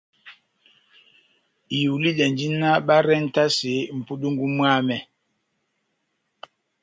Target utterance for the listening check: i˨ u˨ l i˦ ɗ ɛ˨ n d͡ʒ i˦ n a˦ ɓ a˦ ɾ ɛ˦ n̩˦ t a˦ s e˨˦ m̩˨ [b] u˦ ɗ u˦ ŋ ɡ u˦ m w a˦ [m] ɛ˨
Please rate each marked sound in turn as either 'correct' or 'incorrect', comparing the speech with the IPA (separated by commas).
incorrect, correct